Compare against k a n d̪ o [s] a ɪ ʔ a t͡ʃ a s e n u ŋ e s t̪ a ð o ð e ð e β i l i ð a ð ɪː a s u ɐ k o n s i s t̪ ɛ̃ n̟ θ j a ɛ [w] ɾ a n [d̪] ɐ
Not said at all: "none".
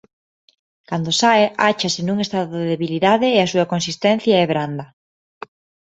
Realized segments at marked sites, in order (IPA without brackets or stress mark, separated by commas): s, β, d̪